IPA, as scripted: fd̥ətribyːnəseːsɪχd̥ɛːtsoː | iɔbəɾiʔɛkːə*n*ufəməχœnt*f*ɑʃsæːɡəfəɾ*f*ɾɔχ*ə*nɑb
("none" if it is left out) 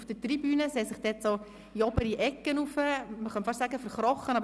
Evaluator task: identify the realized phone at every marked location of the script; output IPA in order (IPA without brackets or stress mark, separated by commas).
n, f, χ, ə